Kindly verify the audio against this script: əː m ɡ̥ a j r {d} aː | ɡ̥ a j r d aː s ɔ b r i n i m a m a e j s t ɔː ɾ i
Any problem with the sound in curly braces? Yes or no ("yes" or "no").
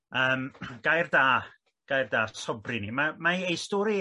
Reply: no